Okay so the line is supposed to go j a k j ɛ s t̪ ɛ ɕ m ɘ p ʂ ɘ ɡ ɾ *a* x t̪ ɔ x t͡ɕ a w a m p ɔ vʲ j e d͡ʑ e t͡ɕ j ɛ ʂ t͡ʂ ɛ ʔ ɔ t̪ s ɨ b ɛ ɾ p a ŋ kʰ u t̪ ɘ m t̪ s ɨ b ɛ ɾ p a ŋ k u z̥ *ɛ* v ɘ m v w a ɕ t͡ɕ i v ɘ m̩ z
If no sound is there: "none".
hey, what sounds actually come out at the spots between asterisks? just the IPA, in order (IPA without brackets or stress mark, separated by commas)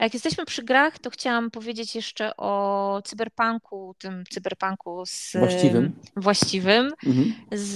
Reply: a, i